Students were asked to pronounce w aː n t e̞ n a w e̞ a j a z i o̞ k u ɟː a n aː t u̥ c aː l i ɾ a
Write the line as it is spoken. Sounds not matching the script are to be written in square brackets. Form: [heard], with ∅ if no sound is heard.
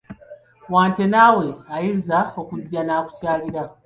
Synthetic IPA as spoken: w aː n t e̞ n a w e̞ a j [i] z [a] o̞ k u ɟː a n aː [k] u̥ c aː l i ɾ a